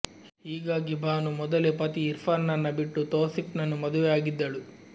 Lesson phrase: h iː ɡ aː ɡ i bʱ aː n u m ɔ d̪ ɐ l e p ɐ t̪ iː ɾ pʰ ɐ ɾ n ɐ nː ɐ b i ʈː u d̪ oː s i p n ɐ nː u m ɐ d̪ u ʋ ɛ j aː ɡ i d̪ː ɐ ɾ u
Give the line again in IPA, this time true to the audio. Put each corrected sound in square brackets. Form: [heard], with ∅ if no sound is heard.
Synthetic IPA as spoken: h iː ɡ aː ɡ i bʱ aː n u m ɔ d̪ ɐ l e p ɐ t̪ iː ɾ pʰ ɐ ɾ n ɐ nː ɐ b i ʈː u [t̪] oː s i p n ɐ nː u m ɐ d̪ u ʋ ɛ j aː ɡ i d̪ː ɐ [ɭ] u